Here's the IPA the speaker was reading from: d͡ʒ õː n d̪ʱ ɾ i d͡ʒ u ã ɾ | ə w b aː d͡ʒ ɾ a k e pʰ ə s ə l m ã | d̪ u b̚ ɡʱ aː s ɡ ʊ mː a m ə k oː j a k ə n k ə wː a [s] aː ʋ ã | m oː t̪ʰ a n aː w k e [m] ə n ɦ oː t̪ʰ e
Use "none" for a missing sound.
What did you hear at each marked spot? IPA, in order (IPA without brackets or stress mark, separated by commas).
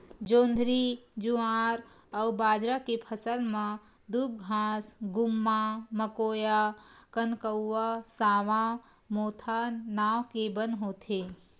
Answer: s, b